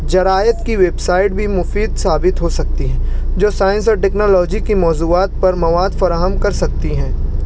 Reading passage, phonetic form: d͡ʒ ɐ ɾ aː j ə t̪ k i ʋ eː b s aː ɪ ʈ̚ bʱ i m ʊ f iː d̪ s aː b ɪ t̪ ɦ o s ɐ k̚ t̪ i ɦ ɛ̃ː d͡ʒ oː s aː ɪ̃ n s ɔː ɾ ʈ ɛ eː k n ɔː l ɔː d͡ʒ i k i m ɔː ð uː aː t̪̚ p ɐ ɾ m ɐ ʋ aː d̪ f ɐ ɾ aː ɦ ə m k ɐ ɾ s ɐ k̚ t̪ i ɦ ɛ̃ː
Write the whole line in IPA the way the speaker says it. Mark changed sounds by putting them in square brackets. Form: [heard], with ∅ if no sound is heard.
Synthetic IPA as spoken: d͡ʒ ɐ ɾ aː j ə t̪ k i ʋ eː b s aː ɪ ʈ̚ bʱ i m ʊ f iː d̪ s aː b ɪ t̪ ɦ o s ɐ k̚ t̪ i ɦ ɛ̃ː d͡ʒ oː s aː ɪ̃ n s ɔː ɾ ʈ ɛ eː k n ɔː l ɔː d͡ʒ i k i m ɔː [z] uː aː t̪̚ p ɐ ɾ m ɐ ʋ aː d̪ f ɐ ɾ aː ɦ ə m k ɐ ɾ s ɐ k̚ t̪ i ɦ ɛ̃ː

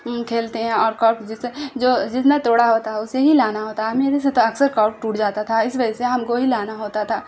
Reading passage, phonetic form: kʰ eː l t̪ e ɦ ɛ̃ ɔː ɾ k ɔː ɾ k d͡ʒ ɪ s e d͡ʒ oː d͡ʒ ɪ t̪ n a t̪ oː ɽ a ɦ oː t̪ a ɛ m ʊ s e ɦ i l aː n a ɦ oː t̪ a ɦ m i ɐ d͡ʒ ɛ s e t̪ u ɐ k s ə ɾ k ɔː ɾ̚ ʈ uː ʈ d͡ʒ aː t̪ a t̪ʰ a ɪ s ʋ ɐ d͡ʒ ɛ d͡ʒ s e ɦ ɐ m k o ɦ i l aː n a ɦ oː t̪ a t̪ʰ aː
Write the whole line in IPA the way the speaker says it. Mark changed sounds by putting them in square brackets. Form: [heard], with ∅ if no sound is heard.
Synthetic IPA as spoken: kʰ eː l t̪ e ɦ ɛ̃ ɔː ɾ k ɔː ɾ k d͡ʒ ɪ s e d͡ʒ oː d͡ʒ ɪ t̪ n a t̪ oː ɽ a ɦ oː t̪ a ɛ [∅] ʊ s e ɦ i l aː n a ɦ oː t̪ a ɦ m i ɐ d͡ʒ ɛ s e t̪ [o] ɐ k s ə ɾ k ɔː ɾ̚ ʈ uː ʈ d͡ʒ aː t̪ a t̪ʰ a ɪ s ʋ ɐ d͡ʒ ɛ [∅] s e ɦ ɐ m k o ɦ i l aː n a ɦ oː t̪ a t̪ʰ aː

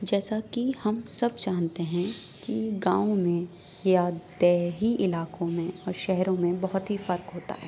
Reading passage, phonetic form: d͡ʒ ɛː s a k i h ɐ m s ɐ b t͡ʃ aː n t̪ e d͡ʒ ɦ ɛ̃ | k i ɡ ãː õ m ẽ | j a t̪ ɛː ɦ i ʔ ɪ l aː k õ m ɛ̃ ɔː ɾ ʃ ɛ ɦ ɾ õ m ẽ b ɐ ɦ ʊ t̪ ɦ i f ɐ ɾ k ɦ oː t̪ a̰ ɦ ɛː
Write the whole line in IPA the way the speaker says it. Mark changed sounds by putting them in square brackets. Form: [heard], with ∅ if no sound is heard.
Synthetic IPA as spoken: d͡ʒ ɛː s a k i h ɐ m s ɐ b t͡ʃ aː n t̪ e [∅] ɦ ɛ̃ | k i ɡ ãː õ m ẽ | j a [d̪] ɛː ɦ i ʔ ɪ l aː k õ m [ẽ] ɔː ɾ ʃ ɛ ɦ ɾ õ m ẽ b ɐ ɦ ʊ t̪ ɦ i f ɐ ɾ k ɦ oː t̪ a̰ ɦ ɛː

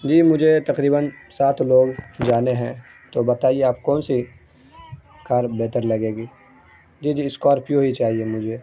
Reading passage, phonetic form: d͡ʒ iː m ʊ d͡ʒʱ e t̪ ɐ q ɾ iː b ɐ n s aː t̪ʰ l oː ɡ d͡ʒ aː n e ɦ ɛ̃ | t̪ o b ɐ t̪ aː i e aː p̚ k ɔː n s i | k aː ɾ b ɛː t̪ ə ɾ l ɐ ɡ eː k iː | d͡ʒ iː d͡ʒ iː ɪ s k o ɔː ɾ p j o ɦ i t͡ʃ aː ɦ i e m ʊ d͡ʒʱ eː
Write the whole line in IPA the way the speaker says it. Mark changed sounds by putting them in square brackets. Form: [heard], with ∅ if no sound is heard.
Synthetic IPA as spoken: d͡ʒ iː m ʊ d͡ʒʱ e t̪ ɐ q ɾ iː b [ə] n s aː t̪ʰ l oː ɡ d͡ʒ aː n e ɦ ɛ̃ | t̪ o b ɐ t̪ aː i e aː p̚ k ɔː n s i | k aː ɾ b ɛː t̪ ə ɾ l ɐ ɡ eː [ɡ] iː | d͡ʒ iː d͡ʒ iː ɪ s k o ɔː ɾ p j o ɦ i t͡ʃ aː ɦ i e m ʊ d͡ʒʱ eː

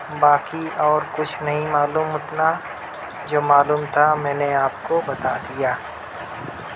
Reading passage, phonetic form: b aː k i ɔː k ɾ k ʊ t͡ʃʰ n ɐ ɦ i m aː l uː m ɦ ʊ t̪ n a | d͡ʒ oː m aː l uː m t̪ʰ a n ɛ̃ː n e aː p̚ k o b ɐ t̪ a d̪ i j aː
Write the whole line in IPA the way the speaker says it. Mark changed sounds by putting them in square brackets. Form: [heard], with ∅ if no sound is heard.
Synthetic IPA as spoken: b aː k i ɔː [∅] ɾ k ʊ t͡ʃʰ n ɐ ɦ [ĩ] m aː l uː m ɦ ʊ t̪ n a | d͡ʒ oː m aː l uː m t̪ʰ a [m] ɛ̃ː n e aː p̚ k o b ɐ t̪ a d̪ i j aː

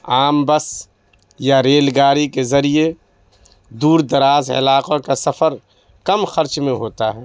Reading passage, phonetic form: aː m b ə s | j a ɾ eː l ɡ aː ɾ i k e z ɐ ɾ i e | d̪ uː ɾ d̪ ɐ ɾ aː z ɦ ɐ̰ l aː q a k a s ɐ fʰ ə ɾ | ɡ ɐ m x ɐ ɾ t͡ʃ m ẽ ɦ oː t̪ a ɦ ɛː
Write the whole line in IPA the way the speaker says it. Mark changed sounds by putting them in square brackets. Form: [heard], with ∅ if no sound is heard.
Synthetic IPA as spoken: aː m b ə s | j a ɾ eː l ɡ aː ɾ i k e z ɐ ɾ i e | d̪ uː ɾ d̪ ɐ ɾ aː z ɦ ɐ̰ l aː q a k a s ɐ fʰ ə ɾ | [k] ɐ m x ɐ ɾ t͡ʃ m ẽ ɦ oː t̪ a ɦ ɛː

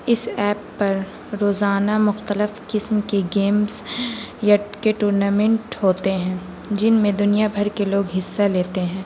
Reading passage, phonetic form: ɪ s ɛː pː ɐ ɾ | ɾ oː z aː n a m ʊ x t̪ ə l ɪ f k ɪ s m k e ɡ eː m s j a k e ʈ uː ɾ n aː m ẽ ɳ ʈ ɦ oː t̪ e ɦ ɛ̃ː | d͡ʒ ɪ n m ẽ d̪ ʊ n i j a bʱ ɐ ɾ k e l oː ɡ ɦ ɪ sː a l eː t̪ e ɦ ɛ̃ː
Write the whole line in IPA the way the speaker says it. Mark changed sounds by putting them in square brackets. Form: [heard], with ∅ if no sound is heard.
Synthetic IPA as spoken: ɪ s ɛː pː ɐ ɾ | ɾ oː z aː n a m ʊ x t̪ ə l ɪ f k ɪ s m k e ɡ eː m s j a k e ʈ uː ɾ n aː m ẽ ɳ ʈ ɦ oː t̪ e ɦ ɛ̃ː | d͡ʒ ɪ n m ẽ d̪ ʊ n i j a bʱ ɐ ɾ k e l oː ɡ ɦ ɪ sː a l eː t̪ e ɦ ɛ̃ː

